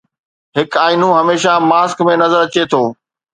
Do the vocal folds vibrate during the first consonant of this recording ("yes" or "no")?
yes